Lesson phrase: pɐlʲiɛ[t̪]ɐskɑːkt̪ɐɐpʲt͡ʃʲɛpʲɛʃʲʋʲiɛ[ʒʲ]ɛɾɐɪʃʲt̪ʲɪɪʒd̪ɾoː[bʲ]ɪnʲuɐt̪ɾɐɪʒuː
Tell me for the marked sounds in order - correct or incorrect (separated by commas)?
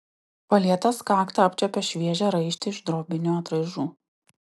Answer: correct, correct, correct